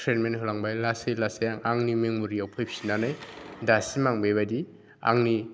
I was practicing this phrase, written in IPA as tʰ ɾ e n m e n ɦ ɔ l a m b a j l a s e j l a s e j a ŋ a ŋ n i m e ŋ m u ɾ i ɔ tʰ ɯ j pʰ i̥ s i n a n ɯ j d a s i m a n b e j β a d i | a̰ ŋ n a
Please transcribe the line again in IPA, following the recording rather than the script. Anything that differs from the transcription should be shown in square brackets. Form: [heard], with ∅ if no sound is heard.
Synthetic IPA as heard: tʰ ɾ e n m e n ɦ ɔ l a [ŋ] b a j l a s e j l a s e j a ŋ a ŋ n i m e ŋ m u ɾ i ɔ [pʰ] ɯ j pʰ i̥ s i n a n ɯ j d a s i m a [ŋ] b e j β a d i | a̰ ŋ n [i]